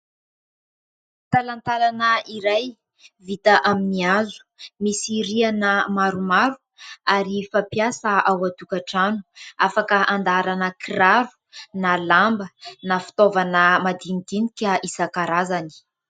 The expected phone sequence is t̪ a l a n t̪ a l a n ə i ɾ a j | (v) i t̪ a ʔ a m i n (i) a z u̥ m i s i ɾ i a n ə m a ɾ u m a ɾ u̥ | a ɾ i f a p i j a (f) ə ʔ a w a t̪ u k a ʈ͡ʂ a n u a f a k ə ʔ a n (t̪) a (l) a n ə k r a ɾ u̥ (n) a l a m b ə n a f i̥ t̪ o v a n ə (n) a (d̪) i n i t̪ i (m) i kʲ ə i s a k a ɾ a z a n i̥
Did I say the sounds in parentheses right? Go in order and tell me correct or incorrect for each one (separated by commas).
correct, correct, incorrect, incorrect, incorrect, correct, incorrect, correct, incorrect